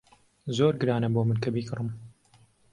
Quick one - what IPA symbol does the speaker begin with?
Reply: z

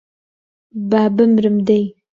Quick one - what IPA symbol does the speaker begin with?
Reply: b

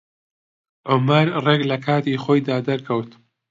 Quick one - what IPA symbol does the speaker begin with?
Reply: ʕ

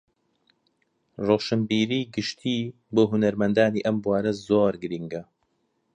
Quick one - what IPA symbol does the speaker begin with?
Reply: r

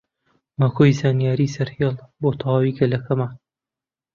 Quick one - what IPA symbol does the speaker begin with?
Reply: m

